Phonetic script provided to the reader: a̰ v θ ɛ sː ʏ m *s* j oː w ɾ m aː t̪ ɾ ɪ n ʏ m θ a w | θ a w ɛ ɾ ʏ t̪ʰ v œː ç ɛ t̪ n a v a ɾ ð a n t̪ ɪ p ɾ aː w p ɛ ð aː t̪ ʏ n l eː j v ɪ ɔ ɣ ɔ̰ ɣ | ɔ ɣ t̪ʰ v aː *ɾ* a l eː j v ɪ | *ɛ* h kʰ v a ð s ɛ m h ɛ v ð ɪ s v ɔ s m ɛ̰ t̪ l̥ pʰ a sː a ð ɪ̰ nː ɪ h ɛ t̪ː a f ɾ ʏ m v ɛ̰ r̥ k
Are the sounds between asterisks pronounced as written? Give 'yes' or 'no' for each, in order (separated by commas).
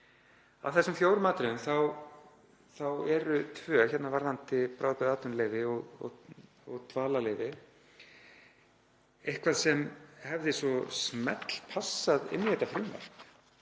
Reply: no, no, no